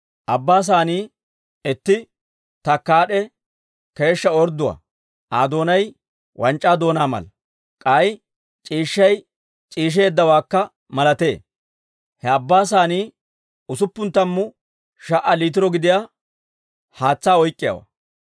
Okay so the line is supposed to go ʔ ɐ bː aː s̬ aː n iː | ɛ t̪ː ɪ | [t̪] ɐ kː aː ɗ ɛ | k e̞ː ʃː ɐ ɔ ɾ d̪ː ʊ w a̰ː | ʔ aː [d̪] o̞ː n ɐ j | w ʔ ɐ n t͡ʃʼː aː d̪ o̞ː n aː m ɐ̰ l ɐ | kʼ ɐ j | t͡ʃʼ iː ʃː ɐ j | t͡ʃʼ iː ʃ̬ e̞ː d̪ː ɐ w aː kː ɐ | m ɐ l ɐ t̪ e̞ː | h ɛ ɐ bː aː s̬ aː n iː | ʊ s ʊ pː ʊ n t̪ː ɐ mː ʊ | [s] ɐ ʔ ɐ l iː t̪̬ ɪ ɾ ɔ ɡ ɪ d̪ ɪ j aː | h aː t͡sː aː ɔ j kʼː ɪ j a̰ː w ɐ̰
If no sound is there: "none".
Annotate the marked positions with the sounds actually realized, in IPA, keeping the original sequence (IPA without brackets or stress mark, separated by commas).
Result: t̪, d̪, ʃ